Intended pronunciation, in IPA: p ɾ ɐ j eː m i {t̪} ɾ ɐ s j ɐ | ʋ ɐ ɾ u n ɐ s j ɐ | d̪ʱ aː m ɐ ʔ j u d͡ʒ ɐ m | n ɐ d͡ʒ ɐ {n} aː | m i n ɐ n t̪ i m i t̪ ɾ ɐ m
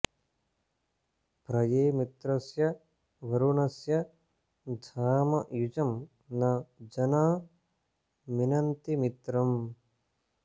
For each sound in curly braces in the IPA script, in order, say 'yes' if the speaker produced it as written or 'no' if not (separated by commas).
yes, yes